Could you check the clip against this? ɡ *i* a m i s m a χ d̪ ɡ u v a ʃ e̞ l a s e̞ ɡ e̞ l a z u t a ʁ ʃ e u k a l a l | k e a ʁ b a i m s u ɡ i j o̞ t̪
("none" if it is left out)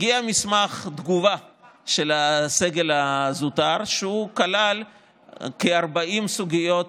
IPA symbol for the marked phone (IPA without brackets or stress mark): i